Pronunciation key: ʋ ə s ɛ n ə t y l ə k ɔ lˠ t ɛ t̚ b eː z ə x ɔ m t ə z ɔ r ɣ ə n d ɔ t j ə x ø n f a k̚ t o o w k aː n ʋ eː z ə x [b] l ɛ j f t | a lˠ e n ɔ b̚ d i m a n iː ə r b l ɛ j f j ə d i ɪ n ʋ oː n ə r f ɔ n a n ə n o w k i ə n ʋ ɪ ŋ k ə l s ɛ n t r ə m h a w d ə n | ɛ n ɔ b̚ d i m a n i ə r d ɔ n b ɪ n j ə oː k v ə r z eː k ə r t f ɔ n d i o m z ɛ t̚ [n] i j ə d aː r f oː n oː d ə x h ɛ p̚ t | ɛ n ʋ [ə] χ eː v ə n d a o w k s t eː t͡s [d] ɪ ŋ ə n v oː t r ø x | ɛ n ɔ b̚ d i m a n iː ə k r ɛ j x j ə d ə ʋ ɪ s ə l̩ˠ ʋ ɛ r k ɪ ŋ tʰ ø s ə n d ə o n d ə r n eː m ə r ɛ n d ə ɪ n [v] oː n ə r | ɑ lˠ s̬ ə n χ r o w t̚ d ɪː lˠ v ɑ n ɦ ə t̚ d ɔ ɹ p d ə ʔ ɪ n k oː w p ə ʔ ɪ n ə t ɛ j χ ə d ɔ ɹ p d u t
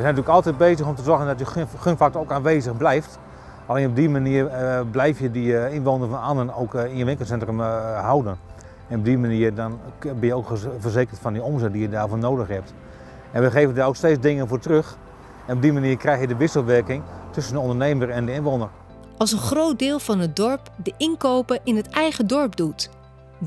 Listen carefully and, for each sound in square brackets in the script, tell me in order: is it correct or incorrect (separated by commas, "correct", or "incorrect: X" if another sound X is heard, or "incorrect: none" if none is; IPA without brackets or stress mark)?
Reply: correct, incorrect: d, correct, correct, incorrect: ʋ